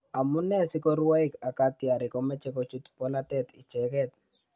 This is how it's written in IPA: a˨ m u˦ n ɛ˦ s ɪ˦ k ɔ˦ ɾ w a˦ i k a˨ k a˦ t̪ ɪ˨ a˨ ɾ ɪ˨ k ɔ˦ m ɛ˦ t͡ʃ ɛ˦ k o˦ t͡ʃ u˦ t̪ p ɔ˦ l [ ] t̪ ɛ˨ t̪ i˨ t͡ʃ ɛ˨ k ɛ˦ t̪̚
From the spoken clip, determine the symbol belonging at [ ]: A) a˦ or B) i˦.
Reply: A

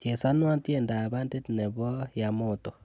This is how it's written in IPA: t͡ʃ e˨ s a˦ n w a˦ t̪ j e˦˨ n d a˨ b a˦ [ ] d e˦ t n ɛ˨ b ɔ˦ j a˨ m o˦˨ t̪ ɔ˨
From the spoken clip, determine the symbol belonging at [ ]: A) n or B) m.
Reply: A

